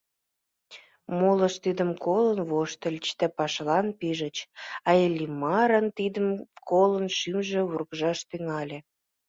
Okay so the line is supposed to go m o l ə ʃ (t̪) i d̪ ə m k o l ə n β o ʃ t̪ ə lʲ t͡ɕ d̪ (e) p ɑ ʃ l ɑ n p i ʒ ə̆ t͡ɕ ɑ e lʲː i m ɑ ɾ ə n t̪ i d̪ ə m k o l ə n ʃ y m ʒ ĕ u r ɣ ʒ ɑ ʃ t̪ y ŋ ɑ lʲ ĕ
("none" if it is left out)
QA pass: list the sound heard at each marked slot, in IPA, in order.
t̪, æ

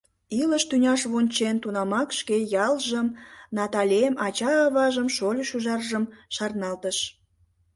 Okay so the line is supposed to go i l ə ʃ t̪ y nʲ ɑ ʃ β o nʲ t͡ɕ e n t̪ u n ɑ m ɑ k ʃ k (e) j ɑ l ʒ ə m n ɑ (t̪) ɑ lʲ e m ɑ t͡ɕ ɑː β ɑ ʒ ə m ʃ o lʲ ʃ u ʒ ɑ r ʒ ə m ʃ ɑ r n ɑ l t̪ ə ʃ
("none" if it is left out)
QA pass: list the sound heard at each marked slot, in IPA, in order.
e, t̪

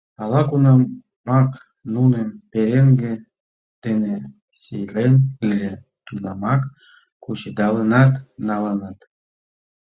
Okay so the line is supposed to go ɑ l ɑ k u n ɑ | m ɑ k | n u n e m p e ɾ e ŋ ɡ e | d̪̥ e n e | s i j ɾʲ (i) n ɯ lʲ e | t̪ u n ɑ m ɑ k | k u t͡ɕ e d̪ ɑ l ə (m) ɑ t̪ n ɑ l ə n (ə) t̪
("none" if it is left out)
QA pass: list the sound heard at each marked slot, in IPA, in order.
e, n, ɑ

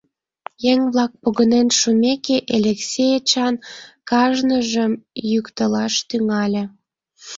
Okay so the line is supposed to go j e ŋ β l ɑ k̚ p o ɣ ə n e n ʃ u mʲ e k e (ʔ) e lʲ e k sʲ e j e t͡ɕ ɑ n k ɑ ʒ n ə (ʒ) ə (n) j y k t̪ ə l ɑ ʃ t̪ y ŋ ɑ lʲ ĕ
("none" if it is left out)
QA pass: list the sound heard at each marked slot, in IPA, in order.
ʔ, ʒ, m

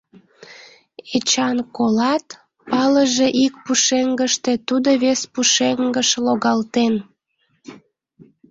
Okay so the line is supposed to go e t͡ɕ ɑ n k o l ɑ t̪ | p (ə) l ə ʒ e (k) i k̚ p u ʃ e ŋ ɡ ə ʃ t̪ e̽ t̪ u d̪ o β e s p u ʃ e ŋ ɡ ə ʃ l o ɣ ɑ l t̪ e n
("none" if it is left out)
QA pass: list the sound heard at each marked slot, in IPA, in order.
ɑ, ʔ

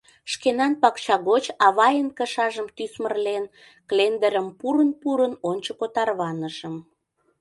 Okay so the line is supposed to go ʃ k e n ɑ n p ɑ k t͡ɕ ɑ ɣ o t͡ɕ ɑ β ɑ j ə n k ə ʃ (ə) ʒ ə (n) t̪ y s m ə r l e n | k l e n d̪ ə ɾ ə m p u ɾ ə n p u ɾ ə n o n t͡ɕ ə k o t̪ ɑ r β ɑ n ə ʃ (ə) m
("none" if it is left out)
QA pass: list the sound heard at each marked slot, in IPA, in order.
ɑ, m, ə

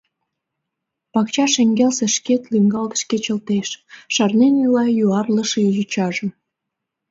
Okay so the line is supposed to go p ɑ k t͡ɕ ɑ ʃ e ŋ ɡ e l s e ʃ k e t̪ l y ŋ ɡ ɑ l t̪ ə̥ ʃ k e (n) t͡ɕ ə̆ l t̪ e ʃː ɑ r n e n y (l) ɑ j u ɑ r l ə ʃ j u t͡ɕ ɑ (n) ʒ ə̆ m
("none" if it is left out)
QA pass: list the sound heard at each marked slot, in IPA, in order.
none, l, none

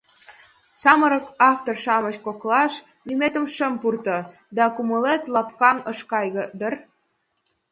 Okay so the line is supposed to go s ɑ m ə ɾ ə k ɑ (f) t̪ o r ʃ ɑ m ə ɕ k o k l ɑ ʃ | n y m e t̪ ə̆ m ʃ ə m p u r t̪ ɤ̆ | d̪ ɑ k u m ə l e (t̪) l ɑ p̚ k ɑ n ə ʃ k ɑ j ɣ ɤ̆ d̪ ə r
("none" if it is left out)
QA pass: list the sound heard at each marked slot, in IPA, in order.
f, t̪

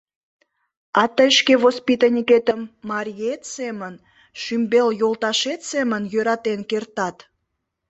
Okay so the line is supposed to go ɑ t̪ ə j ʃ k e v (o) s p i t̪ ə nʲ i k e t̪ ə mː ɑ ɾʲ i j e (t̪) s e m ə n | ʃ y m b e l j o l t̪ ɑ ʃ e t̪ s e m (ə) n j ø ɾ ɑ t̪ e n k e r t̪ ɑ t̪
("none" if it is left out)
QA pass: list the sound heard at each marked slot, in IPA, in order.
o, t̪, ə

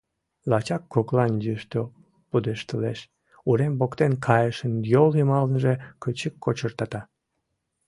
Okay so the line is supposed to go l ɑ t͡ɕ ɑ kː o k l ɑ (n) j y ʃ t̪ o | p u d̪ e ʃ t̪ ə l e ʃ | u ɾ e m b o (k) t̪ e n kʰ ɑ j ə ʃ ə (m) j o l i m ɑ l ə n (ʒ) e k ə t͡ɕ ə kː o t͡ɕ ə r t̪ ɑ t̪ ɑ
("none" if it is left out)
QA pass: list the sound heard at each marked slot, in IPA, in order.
n, k, n, ʒ

